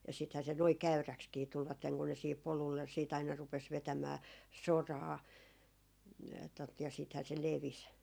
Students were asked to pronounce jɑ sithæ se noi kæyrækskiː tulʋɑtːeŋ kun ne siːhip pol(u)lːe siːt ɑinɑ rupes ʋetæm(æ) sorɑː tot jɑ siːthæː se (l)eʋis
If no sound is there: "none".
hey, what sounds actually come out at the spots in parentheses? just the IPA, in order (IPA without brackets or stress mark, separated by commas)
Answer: u, æː, l